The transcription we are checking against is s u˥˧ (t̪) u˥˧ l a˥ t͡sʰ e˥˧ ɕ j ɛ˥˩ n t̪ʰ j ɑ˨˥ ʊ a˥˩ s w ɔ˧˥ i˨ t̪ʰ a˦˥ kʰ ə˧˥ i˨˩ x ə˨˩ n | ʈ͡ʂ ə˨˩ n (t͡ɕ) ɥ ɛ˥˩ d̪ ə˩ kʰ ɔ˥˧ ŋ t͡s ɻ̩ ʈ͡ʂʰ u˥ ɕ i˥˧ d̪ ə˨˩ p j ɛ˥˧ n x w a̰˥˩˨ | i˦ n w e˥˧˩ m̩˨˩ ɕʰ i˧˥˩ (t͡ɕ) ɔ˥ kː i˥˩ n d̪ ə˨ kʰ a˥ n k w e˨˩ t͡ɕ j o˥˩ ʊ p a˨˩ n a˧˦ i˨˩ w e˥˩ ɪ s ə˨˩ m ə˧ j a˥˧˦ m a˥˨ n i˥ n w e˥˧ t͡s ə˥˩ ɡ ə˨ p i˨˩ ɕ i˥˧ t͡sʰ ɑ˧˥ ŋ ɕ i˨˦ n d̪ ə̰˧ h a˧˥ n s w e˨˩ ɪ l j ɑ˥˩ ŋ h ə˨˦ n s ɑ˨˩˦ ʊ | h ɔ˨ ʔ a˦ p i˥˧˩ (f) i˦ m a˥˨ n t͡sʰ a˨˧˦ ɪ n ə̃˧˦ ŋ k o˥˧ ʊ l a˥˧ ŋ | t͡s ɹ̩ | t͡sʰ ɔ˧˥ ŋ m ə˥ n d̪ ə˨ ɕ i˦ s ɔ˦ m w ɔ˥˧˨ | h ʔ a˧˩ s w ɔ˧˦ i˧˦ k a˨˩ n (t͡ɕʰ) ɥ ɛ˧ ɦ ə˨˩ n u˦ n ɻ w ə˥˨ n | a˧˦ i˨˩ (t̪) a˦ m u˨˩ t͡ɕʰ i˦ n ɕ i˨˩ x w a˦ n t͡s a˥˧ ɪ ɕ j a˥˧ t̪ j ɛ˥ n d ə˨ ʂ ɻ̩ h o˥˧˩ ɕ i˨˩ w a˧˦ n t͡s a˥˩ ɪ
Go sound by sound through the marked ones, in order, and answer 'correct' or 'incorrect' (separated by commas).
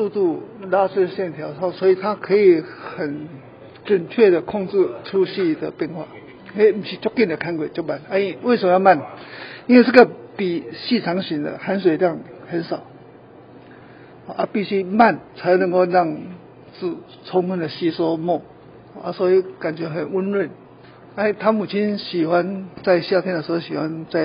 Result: correct, incorrect, correct, incorrect, incorrect, incorrect